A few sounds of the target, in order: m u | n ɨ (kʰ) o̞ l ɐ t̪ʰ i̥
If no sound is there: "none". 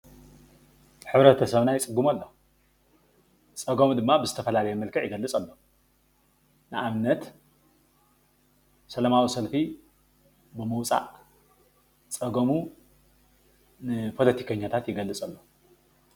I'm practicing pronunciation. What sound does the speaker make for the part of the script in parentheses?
pʰ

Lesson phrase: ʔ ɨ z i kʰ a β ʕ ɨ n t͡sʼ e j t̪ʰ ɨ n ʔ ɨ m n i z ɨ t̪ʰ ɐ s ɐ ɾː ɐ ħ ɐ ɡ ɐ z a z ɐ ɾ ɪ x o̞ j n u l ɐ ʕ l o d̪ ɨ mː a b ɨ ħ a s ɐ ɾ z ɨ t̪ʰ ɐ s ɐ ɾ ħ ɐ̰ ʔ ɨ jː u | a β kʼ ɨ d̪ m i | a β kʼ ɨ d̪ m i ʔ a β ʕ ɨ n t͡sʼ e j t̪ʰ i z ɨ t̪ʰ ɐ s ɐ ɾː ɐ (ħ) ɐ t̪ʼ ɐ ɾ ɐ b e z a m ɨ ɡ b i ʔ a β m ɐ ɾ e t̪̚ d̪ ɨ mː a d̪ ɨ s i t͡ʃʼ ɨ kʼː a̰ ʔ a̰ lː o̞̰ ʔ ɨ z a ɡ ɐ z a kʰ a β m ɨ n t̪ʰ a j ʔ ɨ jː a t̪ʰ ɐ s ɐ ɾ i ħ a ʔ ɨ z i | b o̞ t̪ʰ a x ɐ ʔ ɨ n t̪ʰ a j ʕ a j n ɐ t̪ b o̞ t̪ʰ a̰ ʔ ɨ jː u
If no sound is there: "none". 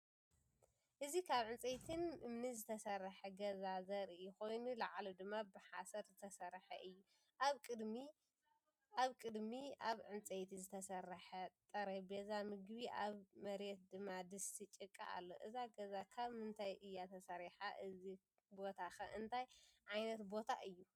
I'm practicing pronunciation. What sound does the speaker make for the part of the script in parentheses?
ħ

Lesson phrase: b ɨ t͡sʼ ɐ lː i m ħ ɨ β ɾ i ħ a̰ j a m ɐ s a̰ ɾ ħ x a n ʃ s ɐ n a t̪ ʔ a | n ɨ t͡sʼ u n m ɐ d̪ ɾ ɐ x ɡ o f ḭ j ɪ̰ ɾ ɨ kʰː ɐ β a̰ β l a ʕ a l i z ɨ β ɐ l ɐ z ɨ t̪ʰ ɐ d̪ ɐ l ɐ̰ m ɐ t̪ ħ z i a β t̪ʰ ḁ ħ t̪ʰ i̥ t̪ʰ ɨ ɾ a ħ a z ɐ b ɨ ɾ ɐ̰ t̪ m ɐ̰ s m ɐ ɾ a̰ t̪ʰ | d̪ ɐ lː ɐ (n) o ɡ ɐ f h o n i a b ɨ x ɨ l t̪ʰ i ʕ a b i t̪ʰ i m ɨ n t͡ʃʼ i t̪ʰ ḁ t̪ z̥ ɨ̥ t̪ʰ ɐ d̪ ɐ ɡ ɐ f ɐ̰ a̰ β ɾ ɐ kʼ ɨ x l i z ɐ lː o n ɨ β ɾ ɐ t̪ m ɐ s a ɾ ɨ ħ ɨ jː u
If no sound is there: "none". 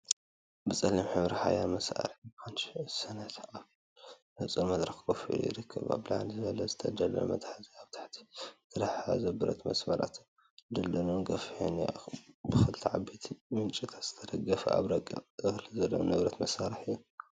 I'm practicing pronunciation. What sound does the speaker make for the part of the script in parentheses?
n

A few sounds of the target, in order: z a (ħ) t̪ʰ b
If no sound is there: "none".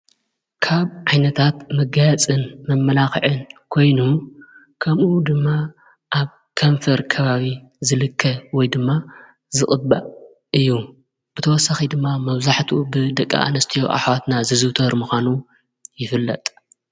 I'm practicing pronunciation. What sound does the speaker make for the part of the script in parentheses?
ħ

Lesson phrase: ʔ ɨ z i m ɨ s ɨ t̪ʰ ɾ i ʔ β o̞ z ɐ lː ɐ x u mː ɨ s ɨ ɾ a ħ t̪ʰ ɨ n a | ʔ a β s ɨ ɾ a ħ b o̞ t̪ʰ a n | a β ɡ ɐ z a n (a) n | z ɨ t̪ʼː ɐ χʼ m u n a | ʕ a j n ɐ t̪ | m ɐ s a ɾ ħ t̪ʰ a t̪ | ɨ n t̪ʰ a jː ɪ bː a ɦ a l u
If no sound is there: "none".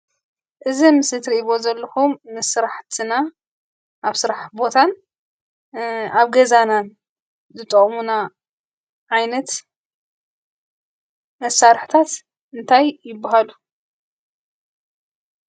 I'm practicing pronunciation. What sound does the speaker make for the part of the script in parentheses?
a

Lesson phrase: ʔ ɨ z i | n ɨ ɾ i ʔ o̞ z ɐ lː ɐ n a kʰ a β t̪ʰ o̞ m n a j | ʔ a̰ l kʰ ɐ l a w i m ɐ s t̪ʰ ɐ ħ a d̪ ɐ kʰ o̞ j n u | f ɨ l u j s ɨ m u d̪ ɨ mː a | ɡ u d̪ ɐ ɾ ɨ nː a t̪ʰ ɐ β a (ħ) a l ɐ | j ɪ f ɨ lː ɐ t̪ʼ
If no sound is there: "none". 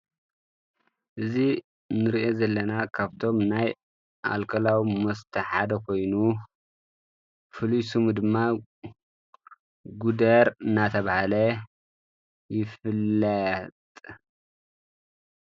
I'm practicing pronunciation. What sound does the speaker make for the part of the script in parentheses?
h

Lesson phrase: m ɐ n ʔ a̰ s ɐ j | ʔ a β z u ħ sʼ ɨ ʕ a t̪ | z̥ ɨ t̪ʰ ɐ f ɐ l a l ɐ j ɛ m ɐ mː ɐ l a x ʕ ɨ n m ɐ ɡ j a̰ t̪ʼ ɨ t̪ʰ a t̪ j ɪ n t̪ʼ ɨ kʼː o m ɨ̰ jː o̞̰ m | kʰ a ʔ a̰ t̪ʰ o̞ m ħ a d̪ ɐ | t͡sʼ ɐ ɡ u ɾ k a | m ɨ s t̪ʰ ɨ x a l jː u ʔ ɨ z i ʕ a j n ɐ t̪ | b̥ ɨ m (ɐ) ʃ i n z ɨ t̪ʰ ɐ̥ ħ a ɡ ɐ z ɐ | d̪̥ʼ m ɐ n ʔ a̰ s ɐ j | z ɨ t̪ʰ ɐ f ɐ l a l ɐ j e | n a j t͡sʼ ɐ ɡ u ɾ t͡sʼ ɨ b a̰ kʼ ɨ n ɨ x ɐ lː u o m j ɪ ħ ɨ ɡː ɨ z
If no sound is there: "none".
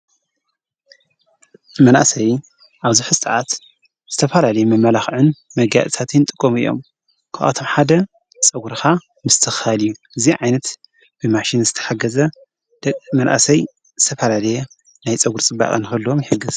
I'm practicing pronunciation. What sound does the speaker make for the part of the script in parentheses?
a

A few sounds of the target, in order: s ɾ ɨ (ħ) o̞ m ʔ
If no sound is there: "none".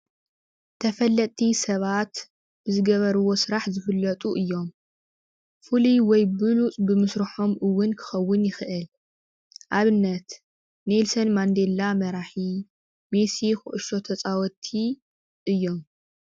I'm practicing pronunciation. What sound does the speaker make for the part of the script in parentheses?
ħ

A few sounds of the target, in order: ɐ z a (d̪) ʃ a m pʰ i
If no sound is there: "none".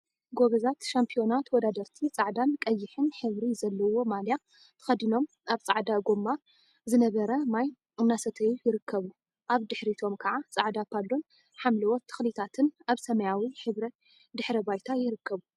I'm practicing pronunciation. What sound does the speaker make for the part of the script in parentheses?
t̪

